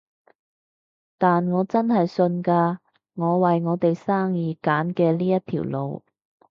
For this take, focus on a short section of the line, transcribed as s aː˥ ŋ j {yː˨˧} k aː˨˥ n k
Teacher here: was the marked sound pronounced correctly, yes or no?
no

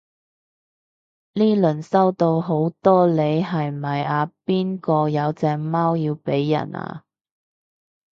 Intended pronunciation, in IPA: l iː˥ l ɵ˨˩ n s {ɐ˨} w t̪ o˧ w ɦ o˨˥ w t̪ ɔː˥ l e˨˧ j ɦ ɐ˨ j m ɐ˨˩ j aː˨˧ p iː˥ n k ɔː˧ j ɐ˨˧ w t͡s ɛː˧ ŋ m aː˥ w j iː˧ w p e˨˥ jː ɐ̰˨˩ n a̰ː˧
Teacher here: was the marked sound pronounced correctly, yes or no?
no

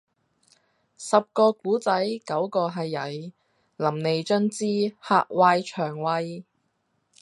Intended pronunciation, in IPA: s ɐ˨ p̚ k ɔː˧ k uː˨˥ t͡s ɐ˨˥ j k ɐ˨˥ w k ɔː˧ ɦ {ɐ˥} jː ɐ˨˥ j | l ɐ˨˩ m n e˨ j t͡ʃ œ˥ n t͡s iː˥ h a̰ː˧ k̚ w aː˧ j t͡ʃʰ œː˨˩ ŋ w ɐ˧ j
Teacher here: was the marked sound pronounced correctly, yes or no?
no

